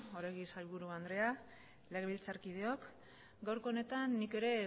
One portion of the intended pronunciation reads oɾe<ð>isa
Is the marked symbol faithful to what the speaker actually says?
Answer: no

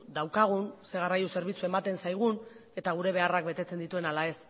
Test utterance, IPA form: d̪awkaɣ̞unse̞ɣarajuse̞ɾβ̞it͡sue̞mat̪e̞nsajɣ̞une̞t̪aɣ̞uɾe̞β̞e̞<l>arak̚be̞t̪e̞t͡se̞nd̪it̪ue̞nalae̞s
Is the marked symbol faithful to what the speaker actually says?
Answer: no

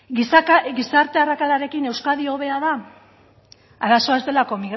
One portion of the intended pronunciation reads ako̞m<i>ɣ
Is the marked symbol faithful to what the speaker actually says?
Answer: yes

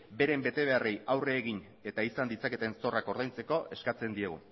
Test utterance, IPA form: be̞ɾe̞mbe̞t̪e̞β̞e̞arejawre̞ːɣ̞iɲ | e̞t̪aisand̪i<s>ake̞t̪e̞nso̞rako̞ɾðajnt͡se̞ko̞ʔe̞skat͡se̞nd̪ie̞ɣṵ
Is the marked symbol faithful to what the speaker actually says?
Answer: no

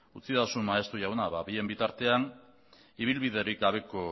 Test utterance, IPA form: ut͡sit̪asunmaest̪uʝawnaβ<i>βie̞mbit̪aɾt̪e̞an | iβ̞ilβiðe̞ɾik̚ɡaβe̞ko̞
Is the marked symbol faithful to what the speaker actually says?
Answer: no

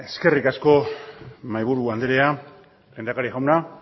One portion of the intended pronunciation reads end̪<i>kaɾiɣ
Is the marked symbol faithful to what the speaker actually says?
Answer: no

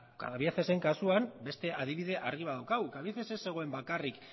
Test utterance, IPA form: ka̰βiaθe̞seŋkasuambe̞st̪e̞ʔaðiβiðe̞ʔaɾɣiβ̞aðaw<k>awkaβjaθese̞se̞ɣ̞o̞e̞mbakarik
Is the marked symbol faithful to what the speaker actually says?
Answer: yes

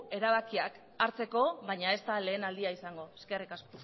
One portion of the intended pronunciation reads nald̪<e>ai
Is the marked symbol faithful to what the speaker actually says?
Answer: no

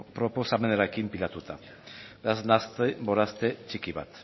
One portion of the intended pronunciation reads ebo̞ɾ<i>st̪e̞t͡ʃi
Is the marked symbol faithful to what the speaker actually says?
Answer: no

